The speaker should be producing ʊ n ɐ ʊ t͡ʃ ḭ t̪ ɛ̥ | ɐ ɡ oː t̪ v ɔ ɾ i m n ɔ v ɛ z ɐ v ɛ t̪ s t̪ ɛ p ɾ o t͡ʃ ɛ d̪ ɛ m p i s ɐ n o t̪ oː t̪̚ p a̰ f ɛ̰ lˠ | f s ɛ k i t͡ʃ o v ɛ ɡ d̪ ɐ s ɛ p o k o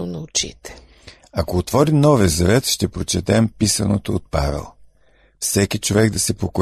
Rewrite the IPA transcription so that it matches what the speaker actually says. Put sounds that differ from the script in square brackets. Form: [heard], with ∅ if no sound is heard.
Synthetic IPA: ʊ n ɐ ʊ t͡ʃ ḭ t̪ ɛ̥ | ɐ [k] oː t̪ v ɔ ɾ i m n ɔ v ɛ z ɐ v ɛ t̪ [ʃ] t̪ ɛ p ɾ o t͡ʃ ɛ [t̪] ɛ m p i s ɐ n o t̪ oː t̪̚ p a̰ [v] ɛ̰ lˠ | f s ɛ k i t͡ʃ o v ɛ ɡ d̪ ɐ s ɛ p o k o